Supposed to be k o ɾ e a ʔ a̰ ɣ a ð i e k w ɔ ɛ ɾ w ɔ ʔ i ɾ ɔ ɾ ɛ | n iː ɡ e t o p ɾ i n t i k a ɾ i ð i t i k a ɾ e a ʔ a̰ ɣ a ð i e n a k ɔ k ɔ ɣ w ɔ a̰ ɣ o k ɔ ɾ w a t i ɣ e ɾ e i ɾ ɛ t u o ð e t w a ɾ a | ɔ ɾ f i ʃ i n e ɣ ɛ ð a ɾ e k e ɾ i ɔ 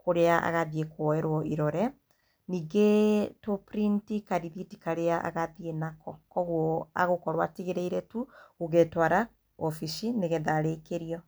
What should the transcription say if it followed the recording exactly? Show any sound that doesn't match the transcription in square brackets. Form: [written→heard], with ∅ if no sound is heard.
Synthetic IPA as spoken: k o ɾ e a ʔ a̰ ɣ a ð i e k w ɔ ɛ ɾ w ɔ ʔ i ɾ ɔ ɾ ɛ | n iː ɡ e t o p ɾ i n t i k a ɾ i ð i t i k a ɾ e a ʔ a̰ ɣ a ð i e n a k ɔ k ɔ ɣ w ɔ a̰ ɣ o k ɔ ɾ w a t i ɣ e ɾ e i ɾ ɛ t u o [ð→ɣ] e t w a ɾ a | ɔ [ɾ→∅] f i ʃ i n e ɣ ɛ ð a ɾ e k e ɾ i ɔ